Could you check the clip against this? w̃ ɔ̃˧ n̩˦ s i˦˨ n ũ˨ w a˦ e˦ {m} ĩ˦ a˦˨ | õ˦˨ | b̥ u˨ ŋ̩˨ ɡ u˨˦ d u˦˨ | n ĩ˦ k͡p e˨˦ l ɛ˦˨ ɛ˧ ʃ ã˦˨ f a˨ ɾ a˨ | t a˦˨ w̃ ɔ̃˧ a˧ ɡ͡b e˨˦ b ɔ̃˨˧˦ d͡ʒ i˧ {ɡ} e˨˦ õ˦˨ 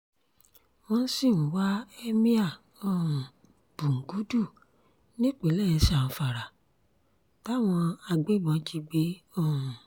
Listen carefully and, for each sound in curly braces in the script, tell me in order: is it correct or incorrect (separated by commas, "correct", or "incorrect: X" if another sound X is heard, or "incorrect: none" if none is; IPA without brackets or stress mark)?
correct, incorrect: ɡ͡b